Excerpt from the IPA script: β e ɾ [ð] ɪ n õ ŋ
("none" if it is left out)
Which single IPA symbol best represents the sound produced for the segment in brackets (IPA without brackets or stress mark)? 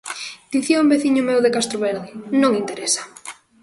ð